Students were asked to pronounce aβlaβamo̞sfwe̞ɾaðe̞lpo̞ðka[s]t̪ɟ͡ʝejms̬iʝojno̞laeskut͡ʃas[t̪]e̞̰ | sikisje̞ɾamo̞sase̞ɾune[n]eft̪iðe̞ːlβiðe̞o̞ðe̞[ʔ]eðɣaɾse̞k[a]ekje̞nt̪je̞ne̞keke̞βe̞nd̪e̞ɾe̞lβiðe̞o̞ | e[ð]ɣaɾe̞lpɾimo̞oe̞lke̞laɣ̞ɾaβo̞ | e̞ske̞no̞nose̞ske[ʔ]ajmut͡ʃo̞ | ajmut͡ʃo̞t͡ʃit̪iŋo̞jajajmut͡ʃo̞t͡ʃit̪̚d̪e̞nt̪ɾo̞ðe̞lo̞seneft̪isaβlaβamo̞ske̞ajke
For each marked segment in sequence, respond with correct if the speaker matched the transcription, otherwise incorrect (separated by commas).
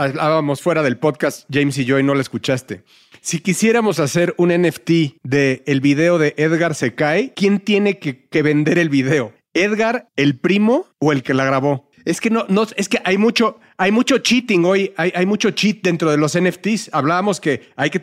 correct, correct, correct, correct, correct, correct, correct